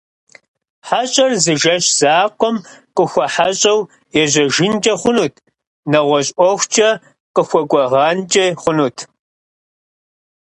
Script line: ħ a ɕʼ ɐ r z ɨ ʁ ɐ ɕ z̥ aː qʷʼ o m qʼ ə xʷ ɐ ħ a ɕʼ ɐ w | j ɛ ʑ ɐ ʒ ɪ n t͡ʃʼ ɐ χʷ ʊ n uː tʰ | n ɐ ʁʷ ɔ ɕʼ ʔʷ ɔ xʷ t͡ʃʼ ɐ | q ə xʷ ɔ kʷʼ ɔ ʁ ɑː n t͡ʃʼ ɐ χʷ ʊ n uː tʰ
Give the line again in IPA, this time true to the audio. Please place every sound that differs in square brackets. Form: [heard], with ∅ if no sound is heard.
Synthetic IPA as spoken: ħ a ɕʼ ɐ r z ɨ [ʒ] ɐ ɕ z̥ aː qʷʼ [ɔ] m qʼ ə xʷ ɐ ħ a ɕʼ ɐ w | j ɛ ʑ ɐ ʒ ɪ n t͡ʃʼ ɐ χʷ ʊ n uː tʰ | n ɐ ʁʷ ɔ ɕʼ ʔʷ ɔ xʷ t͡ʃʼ ɐ | q ə xʷ ɔ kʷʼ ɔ ʁ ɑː n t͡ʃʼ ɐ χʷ ʊ n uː tʰ

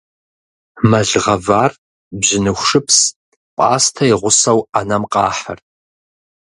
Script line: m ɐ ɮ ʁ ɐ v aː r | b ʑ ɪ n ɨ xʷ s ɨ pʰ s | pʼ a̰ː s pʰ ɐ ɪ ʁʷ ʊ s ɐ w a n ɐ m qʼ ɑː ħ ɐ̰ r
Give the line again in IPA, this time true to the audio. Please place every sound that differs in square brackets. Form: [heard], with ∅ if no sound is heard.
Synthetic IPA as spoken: m ɐ ɮ ʁ ɐ v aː r | b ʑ ɪ n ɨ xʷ [ʂ] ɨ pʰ s | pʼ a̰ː s [tʰ] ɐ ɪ ʁʷ ʊ s ɐ w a n ɐ m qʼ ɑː ħ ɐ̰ r

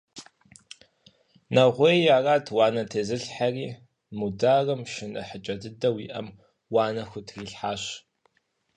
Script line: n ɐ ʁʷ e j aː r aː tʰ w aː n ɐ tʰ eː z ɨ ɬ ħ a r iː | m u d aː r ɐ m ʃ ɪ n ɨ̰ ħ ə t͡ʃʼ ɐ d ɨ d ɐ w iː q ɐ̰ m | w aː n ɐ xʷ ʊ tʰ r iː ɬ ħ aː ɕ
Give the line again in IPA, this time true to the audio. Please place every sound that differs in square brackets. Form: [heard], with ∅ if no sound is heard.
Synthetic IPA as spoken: n ɐ ʁʷ e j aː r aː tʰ w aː n ɐ tʰ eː z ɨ ɬ ħ a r iː | m u d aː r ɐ m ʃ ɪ n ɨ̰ ħ ə t͡ʃʼ ɐ d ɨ d ɐ w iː [ʔ] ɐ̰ m | w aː n ɐ xʷ ʊ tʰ r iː ɬ ħ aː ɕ

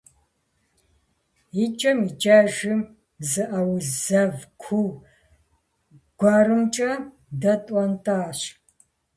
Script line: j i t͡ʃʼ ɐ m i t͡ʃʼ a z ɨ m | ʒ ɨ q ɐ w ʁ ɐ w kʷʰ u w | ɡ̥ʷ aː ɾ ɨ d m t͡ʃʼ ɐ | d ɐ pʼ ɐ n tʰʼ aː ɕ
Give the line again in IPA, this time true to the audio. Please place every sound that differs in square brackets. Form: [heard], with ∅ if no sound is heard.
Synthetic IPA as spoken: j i t͡ʃʼ ɐ m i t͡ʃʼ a [ʒ] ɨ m | [z] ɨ [ʔ] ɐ w [z] ɐ [v] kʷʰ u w | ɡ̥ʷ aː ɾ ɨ [∅] m t͡ʃʼ ɐ | d ɐ [tʼ] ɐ n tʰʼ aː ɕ

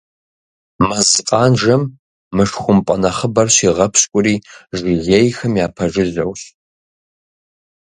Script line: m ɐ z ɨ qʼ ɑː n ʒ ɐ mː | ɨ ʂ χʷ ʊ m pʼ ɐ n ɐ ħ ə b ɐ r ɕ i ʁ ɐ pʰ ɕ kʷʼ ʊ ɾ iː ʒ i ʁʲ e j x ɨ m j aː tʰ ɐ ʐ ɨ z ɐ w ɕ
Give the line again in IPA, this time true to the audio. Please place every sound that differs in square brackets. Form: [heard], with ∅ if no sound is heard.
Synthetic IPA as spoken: m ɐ z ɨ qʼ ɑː n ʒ ɐ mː | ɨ ʂ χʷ ʊ m pʼ ɐ n ɐ [χ] ə b ɐ r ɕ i ʁ ɐ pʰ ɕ kʷʼ ʊ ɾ iː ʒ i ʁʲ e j x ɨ m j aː [pʰ] ɐ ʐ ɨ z ɐ w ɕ

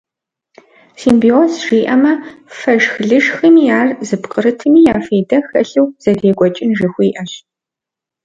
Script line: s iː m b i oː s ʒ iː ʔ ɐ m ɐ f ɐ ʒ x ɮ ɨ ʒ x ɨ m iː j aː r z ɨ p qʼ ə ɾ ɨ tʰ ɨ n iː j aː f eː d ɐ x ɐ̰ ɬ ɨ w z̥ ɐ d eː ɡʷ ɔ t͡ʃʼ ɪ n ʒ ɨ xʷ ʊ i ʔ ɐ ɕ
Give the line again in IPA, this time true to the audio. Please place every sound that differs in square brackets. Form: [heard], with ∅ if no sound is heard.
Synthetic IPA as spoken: s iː m b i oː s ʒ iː ʔ ɐ m ɐ f ɐ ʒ x ɮ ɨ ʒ x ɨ m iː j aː r z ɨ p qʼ ə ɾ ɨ tʰ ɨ [m] iː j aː f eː d ɐ x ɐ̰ ɬ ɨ w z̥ ɐ d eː ɡʷ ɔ t͡ʃʼ ɪ n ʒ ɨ xʷ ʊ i ʔ ɐ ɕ

